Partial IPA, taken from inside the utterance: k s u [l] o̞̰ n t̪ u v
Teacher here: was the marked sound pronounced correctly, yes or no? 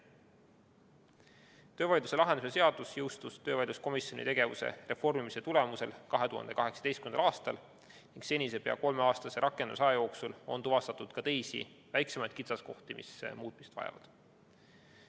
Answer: yes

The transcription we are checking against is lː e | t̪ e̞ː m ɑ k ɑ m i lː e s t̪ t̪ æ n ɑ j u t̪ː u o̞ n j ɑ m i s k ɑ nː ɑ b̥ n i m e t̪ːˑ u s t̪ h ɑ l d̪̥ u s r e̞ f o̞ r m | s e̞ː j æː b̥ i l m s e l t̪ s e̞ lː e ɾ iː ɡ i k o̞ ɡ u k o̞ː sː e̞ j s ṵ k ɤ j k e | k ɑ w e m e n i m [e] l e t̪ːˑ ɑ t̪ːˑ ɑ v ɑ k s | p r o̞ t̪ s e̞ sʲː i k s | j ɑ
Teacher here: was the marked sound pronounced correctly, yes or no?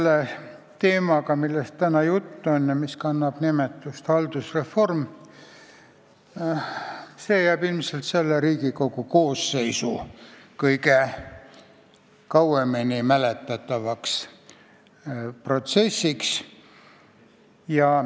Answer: no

